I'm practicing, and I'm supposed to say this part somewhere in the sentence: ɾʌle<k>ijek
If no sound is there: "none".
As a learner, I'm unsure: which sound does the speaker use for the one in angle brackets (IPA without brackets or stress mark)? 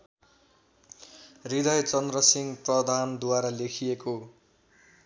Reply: kʰ